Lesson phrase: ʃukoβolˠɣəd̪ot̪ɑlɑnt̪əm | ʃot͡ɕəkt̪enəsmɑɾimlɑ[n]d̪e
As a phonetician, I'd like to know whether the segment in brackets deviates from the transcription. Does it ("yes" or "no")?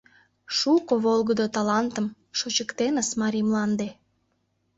no